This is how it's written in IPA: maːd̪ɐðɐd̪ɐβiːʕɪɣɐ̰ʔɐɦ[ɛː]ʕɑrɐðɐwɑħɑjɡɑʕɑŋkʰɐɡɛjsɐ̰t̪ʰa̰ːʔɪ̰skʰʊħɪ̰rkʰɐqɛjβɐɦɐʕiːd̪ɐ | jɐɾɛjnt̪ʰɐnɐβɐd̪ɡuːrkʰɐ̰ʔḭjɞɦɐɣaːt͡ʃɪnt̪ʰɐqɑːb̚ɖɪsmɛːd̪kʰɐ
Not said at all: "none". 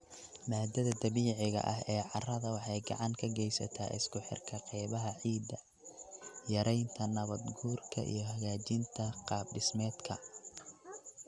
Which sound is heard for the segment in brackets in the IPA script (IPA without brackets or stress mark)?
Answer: ɛː